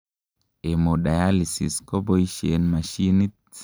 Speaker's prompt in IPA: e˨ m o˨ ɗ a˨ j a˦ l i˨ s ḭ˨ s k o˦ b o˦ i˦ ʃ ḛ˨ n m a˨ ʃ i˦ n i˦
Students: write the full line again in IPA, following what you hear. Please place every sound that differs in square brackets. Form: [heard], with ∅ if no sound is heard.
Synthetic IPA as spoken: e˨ m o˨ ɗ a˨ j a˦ l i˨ s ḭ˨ s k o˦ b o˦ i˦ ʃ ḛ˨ n m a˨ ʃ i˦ n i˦

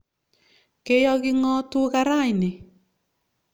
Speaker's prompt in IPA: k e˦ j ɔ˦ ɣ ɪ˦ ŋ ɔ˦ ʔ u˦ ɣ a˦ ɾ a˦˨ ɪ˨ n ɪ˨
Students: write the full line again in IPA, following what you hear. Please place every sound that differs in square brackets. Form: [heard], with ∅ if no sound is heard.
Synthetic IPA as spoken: k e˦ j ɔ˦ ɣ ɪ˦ ŋ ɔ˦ [t] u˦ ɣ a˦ ɾ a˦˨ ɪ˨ n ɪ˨

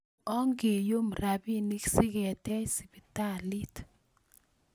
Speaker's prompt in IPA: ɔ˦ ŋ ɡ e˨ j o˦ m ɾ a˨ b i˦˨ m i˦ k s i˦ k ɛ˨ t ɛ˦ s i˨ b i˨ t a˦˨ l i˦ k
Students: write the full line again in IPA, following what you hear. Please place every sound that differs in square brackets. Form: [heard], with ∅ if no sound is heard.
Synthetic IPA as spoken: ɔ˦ ŋ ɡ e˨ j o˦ m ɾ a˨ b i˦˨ [n] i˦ k s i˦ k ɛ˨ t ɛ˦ s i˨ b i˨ t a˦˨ l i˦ [t]

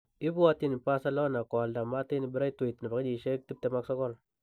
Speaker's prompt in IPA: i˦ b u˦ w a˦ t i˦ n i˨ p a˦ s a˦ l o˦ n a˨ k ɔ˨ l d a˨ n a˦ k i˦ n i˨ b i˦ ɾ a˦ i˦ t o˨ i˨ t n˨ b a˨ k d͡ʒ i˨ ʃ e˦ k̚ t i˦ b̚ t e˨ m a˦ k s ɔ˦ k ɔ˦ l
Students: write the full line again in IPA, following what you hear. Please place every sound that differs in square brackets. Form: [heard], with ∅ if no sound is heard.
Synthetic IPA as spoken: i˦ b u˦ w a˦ t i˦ n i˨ p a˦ s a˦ l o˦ n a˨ k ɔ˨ l d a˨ [m] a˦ [t] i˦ n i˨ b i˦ ɾ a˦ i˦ t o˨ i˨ t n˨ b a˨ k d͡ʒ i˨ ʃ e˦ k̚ t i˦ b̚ t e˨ m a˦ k s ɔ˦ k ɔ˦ l

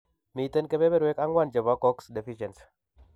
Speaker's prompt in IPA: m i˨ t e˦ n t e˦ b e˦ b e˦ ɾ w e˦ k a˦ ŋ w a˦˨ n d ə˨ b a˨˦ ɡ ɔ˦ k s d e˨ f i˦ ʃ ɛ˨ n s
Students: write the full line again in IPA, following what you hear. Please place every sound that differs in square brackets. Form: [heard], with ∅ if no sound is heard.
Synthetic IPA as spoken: m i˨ t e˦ n [k] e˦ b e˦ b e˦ ɾ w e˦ k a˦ ŋ w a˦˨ n [d͡ʒ] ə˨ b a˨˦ [k] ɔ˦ k s d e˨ f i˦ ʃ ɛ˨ n s

